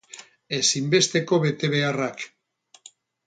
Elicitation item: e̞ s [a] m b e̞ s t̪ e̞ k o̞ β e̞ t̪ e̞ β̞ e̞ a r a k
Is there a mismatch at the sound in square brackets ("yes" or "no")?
yes